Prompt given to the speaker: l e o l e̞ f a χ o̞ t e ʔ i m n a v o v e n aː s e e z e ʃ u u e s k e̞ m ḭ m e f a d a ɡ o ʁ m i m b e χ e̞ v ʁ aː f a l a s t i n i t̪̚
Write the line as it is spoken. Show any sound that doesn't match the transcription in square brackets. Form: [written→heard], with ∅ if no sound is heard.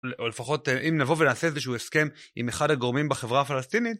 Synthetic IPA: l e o l e̞ f a χ o̞ t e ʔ i m n a v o v e n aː s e e z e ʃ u u e s k e̞ m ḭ m e [f→χ] a d a ɡ o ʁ m i m b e χ e̞ v ʁ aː f a l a s t i n i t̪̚